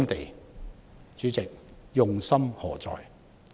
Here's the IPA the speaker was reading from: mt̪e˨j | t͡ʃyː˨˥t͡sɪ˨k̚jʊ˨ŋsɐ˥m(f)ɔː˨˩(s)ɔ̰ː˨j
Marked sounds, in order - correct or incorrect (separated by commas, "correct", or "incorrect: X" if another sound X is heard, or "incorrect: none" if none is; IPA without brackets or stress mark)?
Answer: incorrect: h, incorrect: t͡s